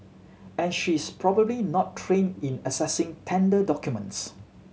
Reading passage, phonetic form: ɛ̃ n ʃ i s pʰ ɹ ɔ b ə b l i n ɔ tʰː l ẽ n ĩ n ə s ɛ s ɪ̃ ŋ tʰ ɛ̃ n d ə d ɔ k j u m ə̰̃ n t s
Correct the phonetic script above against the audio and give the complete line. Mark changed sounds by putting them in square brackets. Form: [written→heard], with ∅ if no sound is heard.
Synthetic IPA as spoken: ɛ̃ n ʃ i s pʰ ɹ ɔ b ə b l i n ɔ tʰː [l→ɹ] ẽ n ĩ n ə s ɛ s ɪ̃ ŋ tʰ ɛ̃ n d ə d ɔ k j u m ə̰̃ n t s